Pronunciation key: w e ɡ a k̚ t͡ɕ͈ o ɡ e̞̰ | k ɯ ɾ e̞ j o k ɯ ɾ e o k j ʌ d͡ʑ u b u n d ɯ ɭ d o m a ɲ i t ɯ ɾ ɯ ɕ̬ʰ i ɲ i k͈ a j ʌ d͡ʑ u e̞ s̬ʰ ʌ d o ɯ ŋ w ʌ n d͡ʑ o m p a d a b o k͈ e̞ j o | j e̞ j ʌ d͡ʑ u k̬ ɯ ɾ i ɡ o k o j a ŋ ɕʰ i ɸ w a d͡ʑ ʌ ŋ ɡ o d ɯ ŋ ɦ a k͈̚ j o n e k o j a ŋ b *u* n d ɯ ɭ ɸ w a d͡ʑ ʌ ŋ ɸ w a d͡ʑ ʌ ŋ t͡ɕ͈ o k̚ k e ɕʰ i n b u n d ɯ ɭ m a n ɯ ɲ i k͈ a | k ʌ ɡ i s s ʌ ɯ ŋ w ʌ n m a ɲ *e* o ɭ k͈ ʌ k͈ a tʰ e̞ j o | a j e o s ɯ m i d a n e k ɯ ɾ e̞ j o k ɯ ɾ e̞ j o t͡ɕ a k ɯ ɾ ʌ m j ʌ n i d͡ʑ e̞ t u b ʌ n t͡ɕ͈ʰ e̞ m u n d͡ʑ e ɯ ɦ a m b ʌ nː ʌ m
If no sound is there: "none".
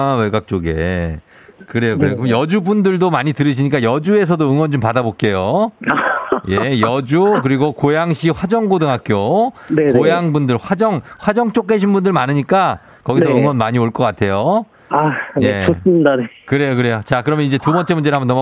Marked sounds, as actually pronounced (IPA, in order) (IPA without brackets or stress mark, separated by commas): u, i